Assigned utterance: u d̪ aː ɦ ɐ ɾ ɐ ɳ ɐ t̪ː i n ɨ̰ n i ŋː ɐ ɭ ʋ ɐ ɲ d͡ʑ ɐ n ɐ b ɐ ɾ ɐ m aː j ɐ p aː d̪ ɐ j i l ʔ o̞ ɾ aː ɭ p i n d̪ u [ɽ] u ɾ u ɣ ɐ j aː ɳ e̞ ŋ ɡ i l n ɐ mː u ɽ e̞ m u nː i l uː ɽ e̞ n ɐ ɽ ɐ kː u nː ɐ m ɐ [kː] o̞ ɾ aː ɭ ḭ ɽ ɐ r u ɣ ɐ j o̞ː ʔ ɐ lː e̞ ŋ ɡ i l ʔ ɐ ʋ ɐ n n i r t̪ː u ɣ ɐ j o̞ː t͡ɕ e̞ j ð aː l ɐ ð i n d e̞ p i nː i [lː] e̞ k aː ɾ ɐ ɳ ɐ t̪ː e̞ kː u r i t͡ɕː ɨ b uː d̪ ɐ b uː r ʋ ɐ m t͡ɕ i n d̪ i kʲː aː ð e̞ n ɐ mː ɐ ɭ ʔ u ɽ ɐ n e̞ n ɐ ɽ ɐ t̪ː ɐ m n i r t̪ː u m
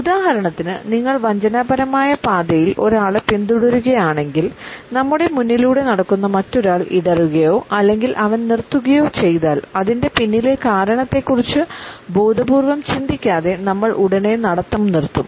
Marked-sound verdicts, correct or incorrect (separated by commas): correct, incorrect, incorrect